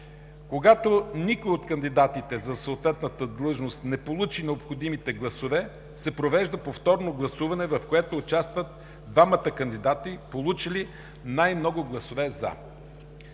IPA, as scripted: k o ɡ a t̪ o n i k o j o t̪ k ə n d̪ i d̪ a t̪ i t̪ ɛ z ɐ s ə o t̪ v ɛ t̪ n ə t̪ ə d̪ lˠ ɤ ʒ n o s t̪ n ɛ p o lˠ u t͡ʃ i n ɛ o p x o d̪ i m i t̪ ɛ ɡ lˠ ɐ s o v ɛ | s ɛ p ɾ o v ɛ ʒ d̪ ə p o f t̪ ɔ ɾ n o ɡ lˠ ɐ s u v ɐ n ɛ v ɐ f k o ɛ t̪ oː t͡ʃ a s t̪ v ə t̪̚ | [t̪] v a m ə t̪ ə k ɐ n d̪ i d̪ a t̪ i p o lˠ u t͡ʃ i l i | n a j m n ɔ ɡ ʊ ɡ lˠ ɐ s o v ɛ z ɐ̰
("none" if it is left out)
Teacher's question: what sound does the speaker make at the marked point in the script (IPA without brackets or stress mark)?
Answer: d̪